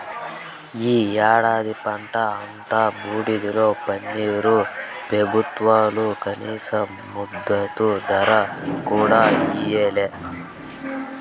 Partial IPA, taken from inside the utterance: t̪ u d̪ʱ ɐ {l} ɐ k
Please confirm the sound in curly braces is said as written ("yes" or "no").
no